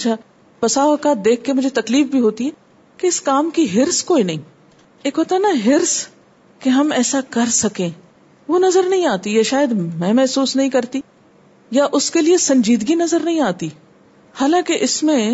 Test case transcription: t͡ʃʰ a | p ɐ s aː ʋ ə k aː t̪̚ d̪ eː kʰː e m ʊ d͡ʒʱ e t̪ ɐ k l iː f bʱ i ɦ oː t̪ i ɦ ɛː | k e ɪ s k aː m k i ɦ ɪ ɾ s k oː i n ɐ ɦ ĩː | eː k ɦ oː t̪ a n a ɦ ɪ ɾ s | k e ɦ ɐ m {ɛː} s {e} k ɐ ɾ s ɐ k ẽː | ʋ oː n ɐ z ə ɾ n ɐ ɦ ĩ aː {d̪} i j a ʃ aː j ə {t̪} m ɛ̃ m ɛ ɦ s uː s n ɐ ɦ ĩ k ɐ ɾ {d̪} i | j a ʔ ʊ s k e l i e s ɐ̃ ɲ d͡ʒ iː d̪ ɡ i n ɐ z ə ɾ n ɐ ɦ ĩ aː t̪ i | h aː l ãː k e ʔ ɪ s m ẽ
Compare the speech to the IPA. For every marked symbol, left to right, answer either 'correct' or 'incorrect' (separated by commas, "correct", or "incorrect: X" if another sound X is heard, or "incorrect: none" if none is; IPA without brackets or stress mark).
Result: correct, incorrect: a, incorrect: t̪, incorrect: d̪, incorrect: t̪